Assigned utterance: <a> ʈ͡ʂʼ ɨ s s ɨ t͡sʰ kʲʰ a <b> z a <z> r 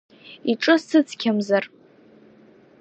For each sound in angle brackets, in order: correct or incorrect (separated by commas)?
incorrect, incorrect, incorrect